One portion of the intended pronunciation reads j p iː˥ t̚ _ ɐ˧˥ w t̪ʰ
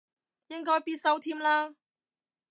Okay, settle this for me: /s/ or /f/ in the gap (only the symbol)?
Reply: s